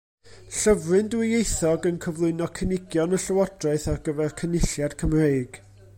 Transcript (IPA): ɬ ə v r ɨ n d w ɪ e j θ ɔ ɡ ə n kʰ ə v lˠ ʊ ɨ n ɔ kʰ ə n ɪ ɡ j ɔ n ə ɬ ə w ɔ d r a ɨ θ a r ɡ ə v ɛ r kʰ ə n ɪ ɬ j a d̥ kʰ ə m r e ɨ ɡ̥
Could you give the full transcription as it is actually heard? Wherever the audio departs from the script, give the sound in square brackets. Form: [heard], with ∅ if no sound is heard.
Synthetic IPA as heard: ɬ ə v r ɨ n d w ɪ e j θ ɔ ɡ ə n kʰ ə v lˠ ʊ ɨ n ɔ kʰ ə n ɪ ɡ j ɔ n ə ɬ ə w ɔ d r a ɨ θ a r ɡ ə v ɛ r kʰ ə n ɪ ɬ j a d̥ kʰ ə m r e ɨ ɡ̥